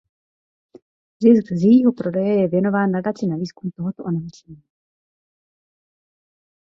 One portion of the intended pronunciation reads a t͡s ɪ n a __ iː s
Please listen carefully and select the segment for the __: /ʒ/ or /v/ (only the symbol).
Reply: v